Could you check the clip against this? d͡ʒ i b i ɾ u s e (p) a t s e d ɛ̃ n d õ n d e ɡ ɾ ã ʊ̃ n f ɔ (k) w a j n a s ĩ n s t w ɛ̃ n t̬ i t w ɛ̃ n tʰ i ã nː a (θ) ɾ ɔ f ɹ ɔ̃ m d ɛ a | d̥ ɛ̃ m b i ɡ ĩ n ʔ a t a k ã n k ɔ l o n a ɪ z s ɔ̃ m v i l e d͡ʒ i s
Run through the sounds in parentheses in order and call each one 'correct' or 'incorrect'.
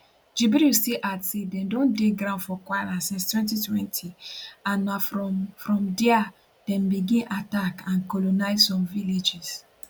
incorrect, correct, incorrect

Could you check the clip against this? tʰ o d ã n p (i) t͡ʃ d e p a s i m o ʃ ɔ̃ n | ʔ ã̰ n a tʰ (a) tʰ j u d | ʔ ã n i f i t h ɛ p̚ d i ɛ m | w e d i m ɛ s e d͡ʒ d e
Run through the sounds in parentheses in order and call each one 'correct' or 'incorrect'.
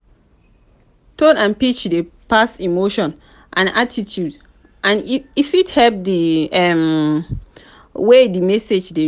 correct, incorrect

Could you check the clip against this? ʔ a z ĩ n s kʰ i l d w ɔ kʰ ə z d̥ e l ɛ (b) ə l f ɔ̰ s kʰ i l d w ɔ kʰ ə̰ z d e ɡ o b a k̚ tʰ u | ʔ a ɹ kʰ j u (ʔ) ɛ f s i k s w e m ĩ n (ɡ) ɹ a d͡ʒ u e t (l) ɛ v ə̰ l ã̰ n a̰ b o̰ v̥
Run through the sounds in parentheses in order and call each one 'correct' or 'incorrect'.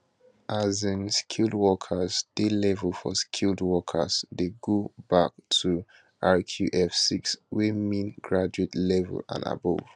incorrect, correct, correct, correct

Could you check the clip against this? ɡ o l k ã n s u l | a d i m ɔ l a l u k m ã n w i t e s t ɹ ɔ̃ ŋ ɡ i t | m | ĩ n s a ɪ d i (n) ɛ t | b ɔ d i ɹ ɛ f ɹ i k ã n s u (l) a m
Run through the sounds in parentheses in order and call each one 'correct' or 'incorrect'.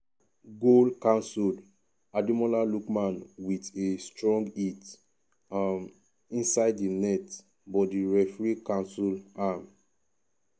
correct, correct

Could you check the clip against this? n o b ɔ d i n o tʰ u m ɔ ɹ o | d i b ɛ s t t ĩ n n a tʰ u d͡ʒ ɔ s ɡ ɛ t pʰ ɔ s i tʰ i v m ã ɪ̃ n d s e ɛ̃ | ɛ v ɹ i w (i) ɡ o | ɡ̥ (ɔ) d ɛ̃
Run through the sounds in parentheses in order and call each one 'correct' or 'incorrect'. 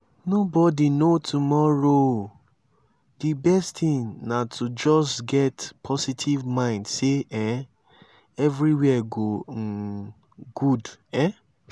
incorrect, incorrect

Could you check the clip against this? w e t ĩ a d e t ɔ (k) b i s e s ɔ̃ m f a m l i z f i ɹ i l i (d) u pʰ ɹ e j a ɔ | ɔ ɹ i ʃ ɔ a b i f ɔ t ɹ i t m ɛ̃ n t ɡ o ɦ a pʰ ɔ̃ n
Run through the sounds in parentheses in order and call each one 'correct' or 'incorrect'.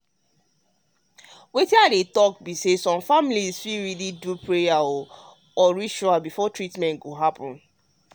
correct, correct

